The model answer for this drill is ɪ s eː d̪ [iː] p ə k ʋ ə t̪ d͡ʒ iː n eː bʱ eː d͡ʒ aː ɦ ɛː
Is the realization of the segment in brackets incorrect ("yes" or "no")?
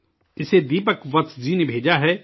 no